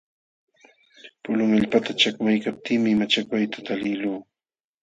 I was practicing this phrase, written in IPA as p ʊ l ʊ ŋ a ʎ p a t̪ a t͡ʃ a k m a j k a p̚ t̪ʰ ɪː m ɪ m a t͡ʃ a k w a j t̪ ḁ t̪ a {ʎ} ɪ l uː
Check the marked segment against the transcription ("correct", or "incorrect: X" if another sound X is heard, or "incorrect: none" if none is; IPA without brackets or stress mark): incorrect: l